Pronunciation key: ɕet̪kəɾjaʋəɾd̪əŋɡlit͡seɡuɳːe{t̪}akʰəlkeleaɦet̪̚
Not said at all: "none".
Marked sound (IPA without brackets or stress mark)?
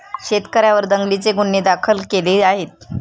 d̪